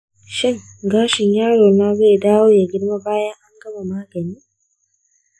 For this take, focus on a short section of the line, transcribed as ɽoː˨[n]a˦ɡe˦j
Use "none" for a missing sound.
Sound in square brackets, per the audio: n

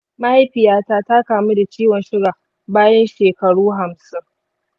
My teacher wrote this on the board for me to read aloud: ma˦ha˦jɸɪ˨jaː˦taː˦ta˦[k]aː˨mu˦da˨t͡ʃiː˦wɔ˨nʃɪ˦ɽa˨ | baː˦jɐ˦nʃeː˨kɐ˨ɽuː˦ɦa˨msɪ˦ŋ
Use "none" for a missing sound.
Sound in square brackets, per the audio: k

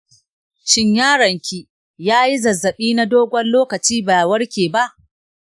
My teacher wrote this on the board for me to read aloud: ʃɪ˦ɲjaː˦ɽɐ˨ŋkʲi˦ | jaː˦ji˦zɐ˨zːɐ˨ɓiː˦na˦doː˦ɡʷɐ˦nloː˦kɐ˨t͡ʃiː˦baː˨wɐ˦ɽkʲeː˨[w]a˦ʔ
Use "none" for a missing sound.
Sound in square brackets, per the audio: b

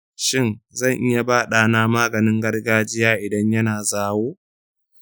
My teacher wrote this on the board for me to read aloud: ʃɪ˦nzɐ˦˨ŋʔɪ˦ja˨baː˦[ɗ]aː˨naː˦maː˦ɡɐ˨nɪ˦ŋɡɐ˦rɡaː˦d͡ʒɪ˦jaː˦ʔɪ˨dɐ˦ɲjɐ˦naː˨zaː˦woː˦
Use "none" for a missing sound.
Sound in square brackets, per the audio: ɗ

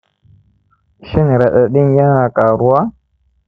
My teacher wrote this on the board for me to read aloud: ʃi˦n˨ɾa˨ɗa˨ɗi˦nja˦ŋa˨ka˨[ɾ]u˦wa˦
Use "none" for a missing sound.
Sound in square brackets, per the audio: ɾ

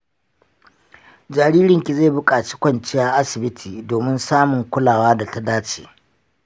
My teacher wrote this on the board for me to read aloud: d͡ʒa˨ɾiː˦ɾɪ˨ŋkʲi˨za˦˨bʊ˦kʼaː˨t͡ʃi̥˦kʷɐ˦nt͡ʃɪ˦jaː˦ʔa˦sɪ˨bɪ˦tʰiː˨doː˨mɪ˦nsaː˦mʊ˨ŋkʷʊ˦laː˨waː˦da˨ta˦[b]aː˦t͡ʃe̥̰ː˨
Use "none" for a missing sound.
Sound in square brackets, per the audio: d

